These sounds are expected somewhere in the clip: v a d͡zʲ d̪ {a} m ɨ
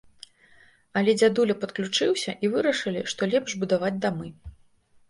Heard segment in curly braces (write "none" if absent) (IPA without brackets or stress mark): a